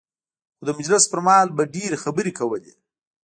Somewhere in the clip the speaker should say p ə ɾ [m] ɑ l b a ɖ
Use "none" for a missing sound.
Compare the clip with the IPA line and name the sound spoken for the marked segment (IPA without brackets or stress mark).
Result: m